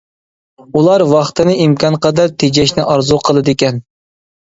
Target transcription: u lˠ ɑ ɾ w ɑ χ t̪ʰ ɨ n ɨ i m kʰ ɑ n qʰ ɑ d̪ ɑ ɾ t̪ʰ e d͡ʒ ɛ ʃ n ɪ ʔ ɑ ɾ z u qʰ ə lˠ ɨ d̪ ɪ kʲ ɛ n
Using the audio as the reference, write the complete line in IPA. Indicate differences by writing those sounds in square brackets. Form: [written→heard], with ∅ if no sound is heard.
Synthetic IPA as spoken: u lˠ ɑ ɾ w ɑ χ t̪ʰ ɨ n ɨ i m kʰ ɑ n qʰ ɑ d̪ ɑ ɾ t̪ʰ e d͡ʒ ɛ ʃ n ɪ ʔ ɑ ɾ z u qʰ ə lˠ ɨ d̪ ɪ kʲ ɛ n